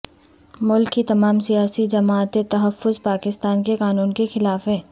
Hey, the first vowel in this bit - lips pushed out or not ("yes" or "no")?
yes